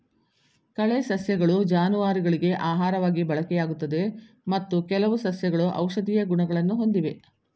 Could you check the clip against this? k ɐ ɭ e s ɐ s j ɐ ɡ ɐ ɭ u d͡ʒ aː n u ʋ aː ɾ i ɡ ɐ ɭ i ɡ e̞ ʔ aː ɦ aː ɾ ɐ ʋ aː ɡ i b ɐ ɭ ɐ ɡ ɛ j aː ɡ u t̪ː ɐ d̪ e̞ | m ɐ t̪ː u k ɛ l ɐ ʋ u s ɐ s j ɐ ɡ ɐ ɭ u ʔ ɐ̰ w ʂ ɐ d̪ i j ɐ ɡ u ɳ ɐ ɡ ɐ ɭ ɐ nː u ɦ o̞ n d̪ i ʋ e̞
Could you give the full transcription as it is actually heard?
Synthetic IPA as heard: k ɐ ɭ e s ɐ s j ɐ ɡ ɐ ɭ u d͡ʒ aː n u ʋ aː ɾ i ɡ ɐ ɭ i ɡ e̞ ʔ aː ɦ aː ɾ ɐ ʋ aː ɡ i b ɐ ɭ ɐ k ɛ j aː ɡ u t̪ː ɐ d̪ e̞ | m ɐ t̪ː u k ɛ l ɐ ʋ u s ɐ s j ɐ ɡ ɐ ɭ u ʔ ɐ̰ w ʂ ɐ d̪ i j ɐ ɡ u ɳ ɐ ɡ ɐ ɭ ɐ nː u ɦ o̞ n d̪ i ʋ e̞